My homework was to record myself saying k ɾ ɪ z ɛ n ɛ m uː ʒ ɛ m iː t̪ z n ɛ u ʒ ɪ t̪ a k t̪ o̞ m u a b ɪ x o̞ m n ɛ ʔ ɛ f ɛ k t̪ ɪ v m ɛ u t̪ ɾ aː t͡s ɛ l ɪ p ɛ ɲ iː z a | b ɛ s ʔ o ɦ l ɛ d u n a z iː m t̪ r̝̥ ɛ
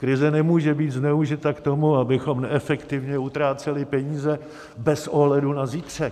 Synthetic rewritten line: k ɾ ɪ z ɛ n ɛ m uː ʒ ɛ b iː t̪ z n ɛ u ʒ ɪ t̪ a k t̪ o̞ m u a b ɪ x o̞ m n ɛ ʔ ɛ f ɛ k t̪ ɪ v ɲ ɛ u t̪ ɾ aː t͡s ɛ l ɪ p ɛ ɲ iː z ɛ | b ɛ s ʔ o ɦ l ɛ d u n a z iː t̪ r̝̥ ɛ